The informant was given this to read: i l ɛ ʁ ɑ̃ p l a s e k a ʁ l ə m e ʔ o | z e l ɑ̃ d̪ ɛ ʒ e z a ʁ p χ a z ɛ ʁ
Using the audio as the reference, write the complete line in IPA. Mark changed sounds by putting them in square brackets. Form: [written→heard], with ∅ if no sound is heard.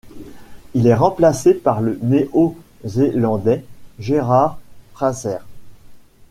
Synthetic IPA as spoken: i l ɛ ʁ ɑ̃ p l a s e [k→p] a ʁ l ə [m→n] e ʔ o | z e l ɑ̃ d̪ ɛ ʒ e [z→ʁ] a ʁ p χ a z ɛ ʁ